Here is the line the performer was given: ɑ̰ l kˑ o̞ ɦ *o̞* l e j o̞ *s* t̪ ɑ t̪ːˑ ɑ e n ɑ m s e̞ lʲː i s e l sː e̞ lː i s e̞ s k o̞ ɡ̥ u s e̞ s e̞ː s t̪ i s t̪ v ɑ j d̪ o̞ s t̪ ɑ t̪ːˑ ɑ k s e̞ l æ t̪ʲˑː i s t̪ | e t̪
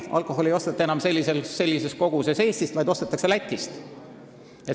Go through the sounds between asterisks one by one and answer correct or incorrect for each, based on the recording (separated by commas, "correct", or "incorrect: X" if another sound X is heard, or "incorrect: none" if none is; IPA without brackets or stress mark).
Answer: correct, correct